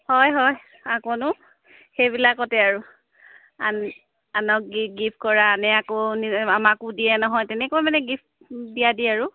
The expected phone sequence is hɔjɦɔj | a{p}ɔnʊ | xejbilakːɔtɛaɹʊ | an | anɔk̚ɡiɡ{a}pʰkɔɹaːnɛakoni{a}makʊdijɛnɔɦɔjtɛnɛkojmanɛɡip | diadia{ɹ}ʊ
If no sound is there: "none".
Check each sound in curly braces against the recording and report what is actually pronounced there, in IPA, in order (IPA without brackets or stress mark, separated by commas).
k, i, a, ɹ